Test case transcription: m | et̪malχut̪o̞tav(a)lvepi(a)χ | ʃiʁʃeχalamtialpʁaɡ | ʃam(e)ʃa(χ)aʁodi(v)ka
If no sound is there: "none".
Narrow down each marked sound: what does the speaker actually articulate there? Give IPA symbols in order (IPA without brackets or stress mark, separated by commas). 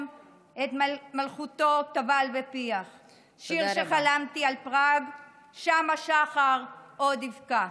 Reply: a, a, a, χ, v